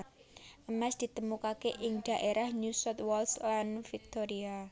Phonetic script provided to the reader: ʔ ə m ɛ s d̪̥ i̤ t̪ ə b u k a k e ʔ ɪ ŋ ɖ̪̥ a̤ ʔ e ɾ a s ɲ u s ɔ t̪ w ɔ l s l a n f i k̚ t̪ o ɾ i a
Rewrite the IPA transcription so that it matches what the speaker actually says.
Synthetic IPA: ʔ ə m ɛ s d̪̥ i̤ t̪ ə m u k a k e ʔ ɪ ŋ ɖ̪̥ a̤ ʔ e ɾ a h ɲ u s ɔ t̪ w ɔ l s l a n f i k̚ t̪ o ɾ i a